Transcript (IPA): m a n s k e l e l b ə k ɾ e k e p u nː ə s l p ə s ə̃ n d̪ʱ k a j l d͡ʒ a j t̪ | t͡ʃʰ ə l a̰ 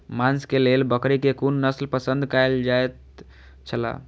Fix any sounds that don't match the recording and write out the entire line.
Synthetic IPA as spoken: m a n s k e l e l b ə k ɾ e k e k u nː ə s l p ə s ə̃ n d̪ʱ k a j l d͡ʒ a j t̪ | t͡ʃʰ ə l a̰

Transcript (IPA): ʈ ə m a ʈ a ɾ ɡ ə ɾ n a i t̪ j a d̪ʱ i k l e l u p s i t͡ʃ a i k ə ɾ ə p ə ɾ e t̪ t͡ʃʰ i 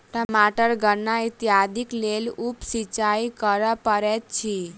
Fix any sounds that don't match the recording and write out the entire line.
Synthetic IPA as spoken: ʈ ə m a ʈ ə ɾ ɡ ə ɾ n a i t̪ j a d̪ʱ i k l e l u p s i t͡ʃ a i k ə ɾ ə p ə ɾ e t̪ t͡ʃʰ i

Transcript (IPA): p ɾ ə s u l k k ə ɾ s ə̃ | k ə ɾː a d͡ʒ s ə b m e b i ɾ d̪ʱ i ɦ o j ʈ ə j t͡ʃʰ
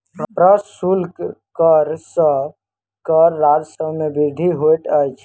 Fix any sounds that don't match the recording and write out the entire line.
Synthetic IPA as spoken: p ɾ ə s u l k k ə ɾ s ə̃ | k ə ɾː a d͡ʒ s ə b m e b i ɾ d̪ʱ i ɦ o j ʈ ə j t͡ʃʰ

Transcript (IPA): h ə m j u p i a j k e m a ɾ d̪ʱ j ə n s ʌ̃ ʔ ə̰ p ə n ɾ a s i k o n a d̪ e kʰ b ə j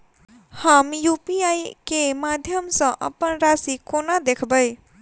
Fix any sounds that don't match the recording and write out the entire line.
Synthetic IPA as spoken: h ə m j u p i a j k e m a d̪ʱ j ə m s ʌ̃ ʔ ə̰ p ə n ɾ a s i k o n a d̪ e kʰ b ə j

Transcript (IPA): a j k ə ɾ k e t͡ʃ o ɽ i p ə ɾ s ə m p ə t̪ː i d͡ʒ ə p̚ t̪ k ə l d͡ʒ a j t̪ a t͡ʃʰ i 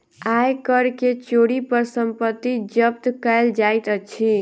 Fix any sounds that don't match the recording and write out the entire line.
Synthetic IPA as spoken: a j k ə ɾ k e t͡ʃ o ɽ i p ə ɾ s ə m p ə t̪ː i d͡ʒ ə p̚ t̪ k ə l d͡ʒ a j t̪ ə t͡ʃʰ i

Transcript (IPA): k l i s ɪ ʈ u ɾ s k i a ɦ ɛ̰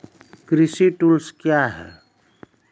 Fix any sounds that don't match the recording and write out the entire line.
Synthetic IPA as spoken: k ɾ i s i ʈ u l s k j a ɦ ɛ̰

